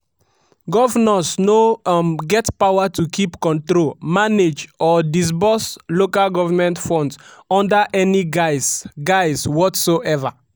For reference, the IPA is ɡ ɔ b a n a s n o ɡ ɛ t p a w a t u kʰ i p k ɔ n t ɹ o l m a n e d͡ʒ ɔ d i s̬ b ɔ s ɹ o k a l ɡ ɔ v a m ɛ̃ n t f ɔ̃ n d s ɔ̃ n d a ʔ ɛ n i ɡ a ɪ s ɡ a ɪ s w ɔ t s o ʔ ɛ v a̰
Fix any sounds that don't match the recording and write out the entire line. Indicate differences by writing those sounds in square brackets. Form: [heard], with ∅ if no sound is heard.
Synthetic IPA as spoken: ɡ ɔ [v] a n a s n o ɡ ɛ t p a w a t u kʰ i p k [ɔ̃] n t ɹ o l m a n e d͡ʒ ɔ d i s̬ b ɔ s [l] o k a l ɡ ɔ v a m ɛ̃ n t f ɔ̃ n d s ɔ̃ n d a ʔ ɛ n i ɡ a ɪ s ɡ a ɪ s w ɔ t s o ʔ ɛ v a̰